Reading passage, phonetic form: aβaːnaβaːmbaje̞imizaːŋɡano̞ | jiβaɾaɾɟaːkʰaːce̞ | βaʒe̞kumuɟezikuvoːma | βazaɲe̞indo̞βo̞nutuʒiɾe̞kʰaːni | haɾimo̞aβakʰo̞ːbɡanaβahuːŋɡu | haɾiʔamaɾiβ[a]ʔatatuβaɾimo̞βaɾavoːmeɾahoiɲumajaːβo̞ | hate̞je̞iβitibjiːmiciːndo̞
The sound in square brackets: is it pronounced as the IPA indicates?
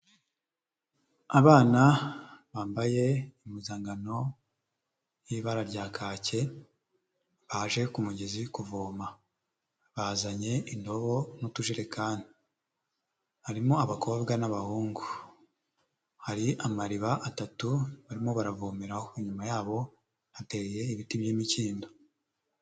yes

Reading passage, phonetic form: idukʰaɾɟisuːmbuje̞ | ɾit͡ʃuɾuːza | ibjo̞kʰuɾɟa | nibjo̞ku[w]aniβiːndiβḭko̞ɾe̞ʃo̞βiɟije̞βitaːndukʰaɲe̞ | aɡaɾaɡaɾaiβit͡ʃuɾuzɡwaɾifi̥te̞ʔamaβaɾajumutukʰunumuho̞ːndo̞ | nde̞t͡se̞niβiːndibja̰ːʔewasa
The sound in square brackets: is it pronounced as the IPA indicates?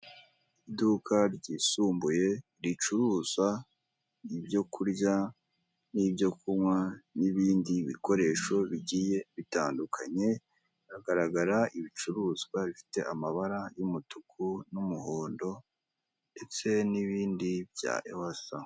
yes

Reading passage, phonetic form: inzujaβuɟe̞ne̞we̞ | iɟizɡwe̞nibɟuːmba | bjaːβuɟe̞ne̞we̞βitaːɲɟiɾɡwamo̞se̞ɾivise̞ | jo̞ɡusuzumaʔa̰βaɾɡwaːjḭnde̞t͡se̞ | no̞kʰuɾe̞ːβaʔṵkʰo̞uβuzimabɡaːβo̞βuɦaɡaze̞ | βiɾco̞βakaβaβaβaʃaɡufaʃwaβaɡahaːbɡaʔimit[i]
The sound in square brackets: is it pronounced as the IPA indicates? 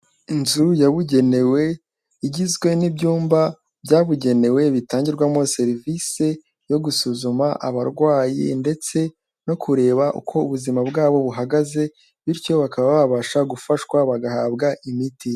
yes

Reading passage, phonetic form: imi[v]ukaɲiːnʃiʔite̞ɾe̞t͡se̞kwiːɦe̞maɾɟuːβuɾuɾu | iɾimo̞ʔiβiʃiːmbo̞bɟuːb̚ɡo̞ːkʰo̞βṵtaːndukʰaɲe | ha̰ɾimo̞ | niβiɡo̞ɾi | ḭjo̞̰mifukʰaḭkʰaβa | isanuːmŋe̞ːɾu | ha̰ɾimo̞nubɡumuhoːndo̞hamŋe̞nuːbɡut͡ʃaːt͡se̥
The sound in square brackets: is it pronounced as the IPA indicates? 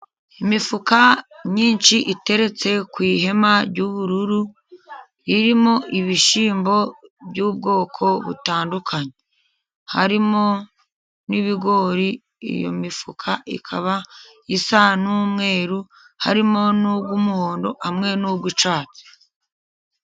no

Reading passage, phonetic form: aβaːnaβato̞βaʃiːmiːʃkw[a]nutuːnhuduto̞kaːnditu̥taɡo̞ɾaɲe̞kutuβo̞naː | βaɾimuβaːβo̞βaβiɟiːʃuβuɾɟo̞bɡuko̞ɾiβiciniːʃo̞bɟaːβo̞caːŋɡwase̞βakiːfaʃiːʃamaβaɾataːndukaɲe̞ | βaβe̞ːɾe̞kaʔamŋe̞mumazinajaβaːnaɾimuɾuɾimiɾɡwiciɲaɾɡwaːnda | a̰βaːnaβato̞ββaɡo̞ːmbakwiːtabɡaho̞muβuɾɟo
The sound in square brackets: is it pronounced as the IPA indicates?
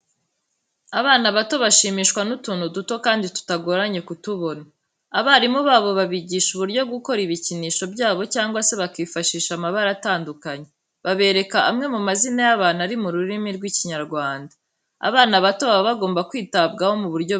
yes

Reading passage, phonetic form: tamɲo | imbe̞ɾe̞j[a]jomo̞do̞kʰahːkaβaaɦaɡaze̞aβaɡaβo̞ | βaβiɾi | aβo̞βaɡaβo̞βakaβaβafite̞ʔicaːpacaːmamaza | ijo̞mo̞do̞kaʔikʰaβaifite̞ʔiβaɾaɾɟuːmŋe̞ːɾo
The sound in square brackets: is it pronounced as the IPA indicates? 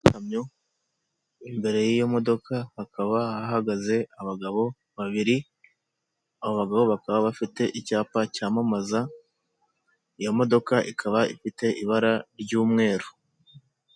no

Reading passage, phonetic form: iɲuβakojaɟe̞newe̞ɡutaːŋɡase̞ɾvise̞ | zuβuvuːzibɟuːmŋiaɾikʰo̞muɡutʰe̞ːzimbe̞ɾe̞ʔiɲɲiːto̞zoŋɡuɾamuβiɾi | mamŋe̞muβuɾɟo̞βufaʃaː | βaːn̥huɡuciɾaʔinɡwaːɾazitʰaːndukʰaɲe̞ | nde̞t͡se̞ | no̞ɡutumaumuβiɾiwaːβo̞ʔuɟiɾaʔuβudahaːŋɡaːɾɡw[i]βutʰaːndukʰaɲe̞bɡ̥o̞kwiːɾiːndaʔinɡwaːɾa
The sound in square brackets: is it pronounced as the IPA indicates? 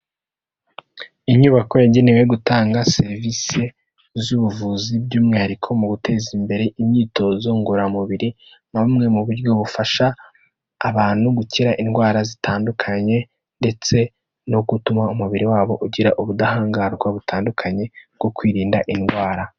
no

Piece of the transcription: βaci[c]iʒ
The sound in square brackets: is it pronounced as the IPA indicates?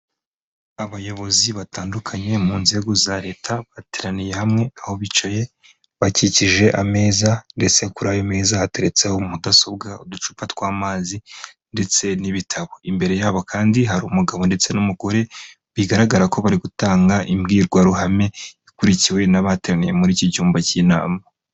yes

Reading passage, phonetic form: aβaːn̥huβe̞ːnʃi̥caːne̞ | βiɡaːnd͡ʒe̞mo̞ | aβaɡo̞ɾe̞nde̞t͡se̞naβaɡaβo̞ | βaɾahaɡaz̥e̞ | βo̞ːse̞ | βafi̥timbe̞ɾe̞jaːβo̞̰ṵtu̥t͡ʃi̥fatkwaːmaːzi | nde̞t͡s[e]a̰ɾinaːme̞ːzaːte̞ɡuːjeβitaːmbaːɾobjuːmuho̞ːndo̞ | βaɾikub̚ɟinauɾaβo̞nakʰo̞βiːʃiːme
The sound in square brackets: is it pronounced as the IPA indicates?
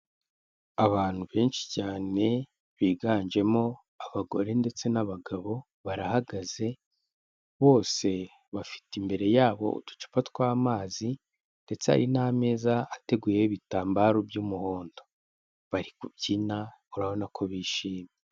yes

